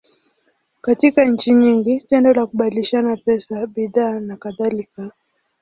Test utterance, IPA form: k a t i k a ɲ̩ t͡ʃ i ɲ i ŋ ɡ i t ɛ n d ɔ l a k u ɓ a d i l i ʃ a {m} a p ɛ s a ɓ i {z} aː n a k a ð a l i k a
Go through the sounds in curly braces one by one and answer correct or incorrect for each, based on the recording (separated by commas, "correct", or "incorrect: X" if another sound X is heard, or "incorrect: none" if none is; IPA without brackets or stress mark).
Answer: incorrect: n, incorrect: ð